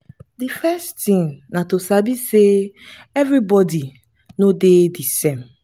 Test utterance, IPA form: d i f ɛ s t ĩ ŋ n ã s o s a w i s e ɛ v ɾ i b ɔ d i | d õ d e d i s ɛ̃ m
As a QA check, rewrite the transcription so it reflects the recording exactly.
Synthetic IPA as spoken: d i f ɛ s t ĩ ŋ n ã t o s a b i s e ɛ v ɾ i b ɔ d i | n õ d e d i s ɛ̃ m

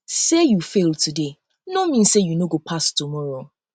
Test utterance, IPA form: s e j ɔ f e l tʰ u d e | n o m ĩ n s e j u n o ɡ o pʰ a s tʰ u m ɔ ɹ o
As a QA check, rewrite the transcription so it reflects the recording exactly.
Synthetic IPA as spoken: s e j u f e l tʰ u d e | n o m ĩ n s e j u n o ɡ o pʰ a s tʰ u m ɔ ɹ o

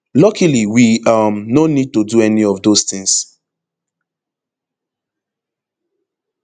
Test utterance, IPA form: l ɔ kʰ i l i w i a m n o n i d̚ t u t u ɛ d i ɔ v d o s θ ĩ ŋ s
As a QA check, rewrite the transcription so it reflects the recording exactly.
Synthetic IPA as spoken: l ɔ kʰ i l i w i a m n o n i d̚ t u d u ɛ n i ɔ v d o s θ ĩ ŋ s

